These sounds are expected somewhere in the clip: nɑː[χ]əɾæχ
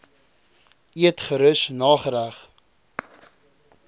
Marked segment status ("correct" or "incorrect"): correct